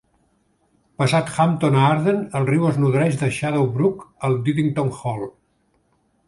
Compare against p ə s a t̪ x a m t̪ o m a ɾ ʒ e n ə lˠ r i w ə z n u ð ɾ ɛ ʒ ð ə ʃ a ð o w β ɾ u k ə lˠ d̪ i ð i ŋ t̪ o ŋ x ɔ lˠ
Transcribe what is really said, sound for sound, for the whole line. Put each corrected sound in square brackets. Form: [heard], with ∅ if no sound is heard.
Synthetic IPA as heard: p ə s a t̪ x a m t̪ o [n] a ɾ [ð] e n ə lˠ r i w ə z n u ð ɾ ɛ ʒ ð ə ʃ a ð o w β ɾ u k ə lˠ d̪ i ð i ŋ t̪ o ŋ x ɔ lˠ